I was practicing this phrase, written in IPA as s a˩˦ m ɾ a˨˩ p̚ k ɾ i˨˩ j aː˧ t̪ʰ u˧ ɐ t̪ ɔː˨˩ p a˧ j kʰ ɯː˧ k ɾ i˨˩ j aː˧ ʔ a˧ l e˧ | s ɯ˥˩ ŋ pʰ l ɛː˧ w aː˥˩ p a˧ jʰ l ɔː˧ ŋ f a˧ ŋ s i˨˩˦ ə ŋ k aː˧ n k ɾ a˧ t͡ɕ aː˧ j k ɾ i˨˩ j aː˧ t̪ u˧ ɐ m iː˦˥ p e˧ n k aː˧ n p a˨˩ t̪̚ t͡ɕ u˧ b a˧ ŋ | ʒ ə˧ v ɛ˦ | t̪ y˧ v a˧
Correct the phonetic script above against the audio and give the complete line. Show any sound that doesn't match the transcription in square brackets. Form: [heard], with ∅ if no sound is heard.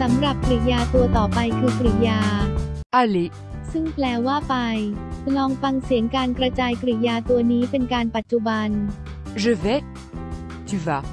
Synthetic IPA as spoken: s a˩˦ m ɾ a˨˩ p̚ k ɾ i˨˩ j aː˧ [t̪] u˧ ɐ t̪ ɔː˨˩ p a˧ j kʰ ɯː˧ k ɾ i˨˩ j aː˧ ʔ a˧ l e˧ | s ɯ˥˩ ŋ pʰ l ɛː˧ w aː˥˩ p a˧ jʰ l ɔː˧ ŋ f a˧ ŋ s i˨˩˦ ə ŋ k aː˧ n k ɾ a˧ t͡ɕ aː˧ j k ɾ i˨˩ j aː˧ t̪ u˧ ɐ [n] iː˦˥ p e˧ n k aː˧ n p a˨˩ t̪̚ t͡ɕ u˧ b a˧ [n] | ʒ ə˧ v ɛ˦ | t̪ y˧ v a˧